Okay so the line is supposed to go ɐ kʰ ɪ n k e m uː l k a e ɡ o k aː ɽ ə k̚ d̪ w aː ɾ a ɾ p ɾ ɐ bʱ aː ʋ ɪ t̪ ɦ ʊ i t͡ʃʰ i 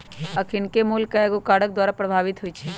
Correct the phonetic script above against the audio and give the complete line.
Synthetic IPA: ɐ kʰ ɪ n k e m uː l k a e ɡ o k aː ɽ ə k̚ d̪ w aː ɾ a p ɾ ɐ bʱ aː ʋ ɪ t̪ ɦ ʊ i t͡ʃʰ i

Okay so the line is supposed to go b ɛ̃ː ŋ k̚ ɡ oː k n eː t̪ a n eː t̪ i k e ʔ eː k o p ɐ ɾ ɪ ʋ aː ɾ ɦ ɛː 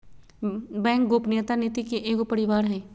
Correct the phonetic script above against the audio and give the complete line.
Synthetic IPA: b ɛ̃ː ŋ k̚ ɡ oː p n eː t̪ a n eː t̪ i k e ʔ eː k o p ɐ ɾ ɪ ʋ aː ɾ ɦ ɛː

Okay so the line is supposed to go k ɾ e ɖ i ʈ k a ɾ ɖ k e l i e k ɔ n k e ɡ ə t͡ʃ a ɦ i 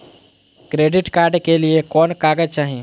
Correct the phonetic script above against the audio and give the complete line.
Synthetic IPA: k ɾ e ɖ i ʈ k a ɾ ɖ k e l i e k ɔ n k a ɡ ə t͡ʃ a ɦ i

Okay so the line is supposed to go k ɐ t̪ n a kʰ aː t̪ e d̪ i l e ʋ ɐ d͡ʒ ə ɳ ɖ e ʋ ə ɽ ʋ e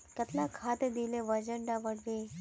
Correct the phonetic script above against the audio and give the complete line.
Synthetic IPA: k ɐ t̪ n a kʰ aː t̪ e d̪ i l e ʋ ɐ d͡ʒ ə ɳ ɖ a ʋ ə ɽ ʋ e

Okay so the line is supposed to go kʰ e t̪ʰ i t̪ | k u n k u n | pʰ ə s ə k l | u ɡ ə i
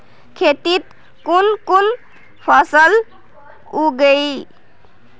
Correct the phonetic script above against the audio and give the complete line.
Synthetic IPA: kʰ e t̪ i t̪ | k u n k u n | pʰ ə s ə l | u ɡ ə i

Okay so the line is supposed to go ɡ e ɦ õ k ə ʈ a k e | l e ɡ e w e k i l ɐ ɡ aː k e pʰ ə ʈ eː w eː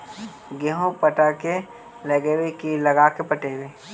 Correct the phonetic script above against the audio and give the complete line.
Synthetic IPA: ɡ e ɦ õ p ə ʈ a k e | l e ɡ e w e k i l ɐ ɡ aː k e p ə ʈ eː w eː

